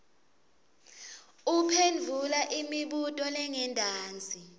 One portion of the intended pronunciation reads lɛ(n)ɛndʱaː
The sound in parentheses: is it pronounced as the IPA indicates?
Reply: no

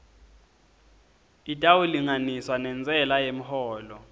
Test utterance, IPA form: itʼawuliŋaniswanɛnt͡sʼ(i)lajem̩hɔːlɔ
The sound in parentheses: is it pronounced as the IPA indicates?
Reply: no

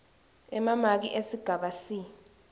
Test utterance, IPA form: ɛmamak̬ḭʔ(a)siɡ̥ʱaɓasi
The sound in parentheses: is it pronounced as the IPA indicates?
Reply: no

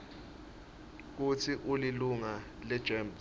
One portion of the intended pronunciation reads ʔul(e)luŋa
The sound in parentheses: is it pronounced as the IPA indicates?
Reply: no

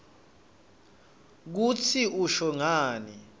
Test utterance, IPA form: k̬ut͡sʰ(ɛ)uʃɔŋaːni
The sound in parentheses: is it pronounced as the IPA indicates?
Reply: no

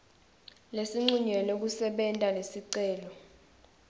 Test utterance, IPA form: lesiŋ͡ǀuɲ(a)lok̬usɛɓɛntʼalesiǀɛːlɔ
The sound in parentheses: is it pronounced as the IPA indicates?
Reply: no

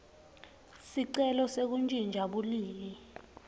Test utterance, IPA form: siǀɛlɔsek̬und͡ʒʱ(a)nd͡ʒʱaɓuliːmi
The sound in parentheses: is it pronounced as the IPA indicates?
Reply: no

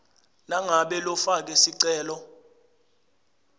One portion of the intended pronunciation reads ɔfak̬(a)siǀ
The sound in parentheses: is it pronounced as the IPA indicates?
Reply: no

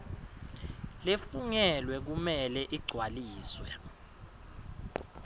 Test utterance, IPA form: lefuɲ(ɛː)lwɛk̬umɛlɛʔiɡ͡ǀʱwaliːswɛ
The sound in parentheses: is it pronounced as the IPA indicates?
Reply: no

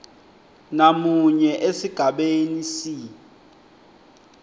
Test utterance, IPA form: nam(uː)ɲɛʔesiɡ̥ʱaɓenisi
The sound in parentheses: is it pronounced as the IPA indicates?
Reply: no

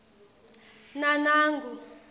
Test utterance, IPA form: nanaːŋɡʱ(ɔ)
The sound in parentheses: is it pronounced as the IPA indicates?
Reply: no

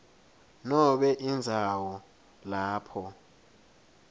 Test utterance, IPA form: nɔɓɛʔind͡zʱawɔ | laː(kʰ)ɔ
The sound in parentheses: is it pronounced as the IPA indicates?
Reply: no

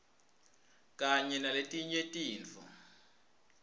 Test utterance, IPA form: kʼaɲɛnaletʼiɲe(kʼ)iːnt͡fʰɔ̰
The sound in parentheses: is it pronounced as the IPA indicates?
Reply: no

